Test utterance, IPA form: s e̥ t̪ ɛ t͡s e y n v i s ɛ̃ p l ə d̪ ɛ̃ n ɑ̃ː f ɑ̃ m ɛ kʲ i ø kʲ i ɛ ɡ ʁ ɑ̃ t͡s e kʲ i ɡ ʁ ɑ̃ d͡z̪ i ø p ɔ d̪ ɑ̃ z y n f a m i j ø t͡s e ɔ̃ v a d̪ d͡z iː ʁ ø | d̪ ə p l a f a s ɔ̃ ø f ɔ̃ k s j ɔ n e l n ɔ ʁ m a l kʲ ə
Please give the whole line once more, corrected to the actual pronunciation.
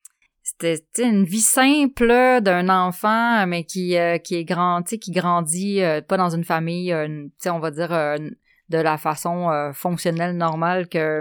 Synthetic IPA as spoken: s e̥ t̪ ɛ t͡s e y n v i s ɛ̃ p l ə d̪ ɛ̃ n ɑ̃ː f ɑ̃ m ɛ kʲ i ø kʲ i ɛ ɡ ʁ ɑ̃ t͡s e kʲ i ɡ ʁ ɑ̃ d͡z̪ i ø p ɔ d̪ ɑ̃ z y n f a m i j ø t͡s e ɔ̃ v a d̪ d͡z iː ʁ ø | d̪ ə l a f a s ɔ̃ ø f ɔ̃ k s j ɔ n ɛ l n ɔ ʁ m a l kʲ ə